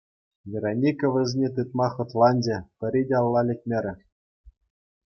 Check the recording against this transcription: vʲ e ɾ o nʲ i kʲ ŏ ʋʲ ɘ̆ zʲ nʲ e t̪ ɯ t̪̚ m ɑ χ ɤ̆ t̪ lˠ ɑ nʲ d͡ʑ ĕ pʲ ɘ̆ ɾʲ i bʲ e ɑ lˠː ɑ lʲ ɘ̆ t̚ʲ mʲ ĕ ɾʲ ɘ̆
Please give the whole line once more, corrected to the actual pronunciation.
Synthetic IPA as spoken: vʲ e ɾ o nʲ i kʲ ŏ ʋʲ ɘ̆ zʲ nʲ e t̪ ɯ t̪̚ m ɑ χ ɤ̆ t̪ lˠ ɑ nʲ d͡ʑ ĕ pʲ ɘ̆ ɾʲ i dʲ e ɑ lˠː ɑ lʲ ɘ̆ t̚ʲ mʲ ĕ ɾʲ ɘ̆

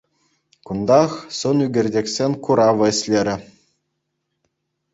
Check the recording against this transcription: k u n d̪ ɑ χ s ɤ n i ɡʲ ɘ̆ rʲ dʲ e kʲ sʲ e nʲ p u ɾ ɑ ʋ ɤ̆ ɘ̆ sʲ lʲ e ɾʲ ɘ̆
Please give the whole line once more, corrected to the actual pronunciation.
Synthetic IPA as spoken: k u n d̪ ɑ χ s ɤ n y ɡʲ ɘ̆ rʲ dʲ e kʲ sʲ e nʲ k u ɾ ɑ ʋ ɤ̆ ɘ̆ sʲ lʲ e ɾʲ ɘ̆

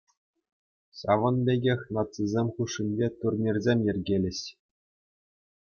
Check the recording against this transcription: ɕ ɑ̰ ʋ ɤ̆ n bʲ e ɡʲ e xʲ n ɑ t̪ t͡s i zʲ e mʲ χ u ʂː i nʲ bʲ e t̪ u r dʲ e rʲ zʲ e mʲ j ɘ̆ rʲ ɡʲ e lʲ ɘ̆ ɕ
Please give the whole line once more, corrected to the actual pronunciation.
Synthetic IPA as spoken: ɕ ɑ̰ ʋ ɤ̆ n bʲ e ɡʲ e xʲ n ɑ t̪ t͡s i zʲ e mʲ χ u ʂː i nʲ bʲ e t̪ u r nʲ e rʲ zʲ e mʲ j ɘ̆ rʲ ɡʲ e lʲ ɘ̆ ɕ

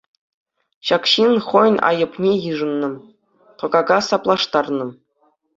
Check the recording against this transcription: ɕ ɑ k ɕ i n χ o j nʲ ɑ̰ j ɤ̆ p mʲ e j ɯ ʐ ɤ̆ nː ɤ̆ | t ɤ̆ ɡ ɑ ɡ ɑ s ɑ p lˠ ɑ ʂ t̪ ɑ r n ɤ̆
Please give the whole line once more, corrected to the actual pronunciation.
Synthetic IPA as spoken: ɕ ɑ k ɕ i n χ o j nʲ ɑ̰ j ɤ̆ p nʲ e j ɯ ʐ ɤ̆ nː ɤ̆ | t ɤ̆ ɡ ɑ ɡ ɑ s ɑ p lˠ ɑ ʂ t̪ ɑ r n ɤ̆

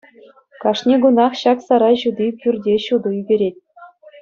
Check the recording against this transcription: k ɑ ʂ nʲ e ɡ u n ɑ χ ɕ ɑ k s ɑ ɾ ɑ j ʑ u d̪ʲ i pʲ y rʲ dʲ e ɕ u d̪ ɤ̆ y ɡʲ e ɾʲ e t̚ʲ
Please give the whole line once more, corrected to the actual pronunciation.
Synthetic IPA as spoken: k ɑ ʂ nʲ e ɡ u n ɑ χ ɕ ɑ k s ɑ ɾ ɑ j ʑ u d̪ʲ i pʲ y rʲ dʲ e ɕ u d̪ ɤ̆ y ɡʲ e ɾʲ e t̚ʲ

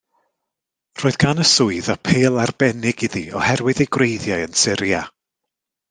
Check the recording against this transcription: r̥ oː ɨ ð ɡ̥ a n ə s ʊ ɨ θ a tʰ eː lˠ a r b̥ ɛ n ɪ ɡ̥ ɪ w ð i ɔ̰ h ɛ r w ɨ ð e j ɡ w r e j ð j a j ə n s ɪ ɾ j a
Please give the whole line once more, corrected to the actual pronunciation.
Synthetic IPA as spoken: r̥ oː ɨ ð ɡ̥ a n ə s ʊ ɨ ð a pʰ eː lˠ a r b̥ ɛ n ɪ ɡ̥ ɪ ð i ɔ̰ h ɛ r w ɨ ð e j ɡ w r e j ð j a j ə n s ɪ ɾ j a

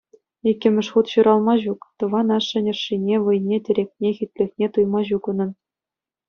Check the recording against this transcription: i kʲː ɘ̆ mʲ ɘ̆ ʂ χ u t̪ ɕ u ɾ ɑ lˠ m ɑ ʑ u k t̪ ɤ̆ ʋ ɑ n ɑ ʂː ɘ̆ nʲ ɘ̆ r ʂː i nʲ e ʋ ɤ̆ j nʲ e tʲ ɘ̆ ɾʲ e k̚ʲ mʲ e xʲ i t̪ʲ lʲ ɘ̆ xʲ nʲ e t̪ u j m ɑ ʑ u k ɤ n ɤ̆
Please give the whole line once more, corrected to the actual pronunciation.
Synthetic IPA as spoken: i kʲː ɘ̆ mʲ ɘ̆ ʂ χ u t̪ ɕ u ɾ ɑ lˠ m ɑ ʑ u k t̪ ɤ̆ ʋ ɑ n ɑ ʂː ɘ̆ nʲ ɘ̆ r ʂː i nʲ e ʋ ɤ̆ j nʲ e tʲ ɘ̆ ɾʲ e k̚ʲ nʲ e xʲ i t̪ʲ lʲ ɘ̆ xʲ nʲ e t̪ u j m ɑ ʑ u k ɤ n ɤ̆

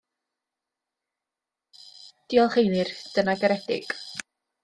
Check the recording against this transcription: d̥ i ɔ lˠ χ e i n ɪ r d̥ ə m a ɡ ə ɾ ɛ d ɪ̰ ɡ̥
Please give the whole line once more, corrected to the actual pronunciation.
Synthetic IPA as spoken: d̥ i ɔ lˠ χ e j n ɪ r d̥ ə n a ɡ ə ɾ ɛ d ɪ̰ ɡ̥

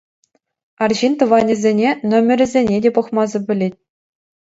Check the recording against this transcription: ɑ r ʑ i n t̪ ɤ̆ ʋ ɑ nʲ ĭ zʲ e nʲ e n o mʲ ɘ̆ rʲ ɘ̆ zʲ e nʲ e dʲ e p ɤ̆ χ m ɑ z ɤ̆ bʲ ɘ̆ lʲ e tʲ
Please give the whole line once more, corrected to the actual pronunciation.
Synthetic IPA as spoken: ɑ r ʑ i n t̪ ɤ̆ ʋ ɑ nʲ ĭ zʲ e nʲ e n o mʲ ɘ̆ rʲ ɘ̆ zʲ e nʲ e dʲ e p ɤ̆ χ m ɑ z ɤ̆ bʲ ɘ̆ lʲ e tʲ

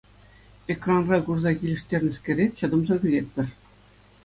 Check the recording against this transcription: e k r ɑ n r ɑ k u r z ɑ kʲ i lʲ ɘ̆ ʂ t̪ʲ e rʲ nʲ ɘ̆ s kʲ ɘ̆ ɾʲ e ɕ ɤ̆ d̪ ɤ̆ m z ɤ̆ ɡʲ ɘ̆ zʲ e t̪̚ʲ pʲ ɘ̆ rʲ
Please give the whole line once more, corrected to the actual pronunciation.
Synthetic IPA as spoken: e k r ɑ n r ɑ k u r z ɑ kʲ i lʲ ɘ̆ ʂ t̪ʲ e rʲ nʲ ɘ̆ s kʲ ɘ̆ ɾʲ e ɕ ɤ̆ d̪ ɤ̆ m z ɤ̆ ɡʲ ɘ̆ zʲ e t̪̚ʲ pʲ ɘ̆ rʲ

